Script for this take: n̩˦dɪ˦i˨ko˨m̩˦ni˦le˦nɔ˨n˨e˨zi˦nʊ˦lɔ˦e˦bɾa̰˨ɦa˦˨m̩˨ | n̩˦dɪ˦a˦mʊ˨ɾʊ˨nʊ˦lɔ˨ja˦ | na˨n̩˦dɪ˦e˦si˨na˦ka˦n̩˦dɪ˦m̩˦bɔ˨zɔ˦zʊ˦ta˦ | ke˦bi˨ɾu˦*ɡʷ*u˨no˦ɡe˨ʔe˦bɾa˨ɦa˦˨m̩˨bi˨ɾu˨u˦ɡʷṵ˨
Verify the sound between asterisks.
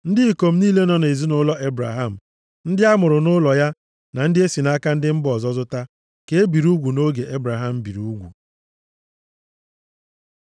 correct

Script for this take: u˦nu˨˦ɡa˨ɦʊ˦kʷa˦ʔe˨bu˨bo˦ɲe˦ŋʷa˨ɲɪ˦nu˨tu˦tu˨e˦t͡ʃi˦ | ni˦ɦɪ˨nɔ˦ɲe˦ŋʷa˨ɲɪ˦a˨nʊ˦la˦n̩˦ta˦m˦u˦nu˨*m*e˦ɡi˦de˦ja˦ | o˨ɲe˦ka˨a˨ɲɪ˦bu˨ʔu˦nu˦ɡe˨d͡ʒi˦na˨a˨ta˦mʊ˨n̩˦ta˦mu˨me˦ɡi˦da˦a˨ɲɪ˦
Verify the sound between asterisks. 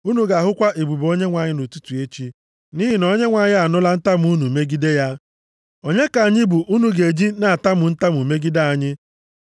correct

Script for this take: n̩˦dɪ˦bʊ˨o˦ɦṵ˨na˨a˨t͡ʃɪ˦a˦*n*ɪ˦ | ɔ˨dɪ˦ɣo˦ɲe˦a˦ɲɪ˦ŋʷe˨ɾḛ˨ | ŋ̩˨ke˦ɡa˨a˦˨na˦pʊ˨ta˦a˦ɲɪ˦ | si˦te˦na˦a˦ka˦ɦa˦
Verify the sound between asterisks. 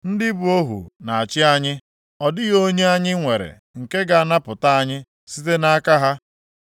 incorrect: ɲ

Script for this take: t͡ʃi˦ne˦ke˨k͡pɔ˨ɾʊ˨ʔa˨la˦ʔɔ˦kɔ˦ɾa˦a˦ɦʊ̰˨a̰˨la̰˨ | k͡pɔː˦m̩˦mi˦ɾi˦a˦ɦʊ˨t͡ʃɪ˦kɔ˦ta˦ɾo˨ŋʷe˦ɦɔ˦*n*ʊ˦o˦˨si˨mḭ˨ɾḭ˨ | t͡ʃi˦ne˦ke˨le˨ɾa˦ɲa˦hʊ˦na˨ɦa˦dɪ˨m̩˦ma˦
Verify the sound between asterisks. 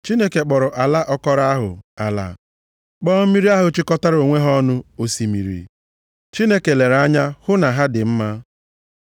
correct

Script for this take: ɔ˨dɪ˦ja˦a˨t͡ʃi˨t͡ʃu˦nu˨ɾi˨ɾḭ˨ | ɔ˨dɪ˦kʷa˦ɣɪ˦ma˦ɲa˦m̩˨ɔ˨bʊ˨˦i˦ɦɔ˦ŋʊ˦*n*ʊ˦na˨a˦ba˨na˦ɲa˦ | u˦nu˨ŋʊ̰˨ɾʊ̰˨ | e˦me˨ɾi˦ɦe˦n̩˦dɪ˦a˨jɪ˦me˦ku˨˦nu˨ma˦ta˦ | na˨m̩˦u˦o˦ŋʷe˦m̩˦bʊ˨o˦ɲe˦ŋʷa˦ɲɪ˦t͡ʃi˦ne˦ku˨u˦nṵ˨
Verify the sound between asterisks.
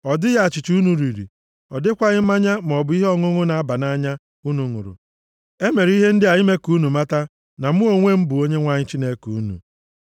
incorrect: ŋ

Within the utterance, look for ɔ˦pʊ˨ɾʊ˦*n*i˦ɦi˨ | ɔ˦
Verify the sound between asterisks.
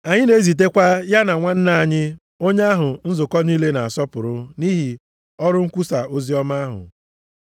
correct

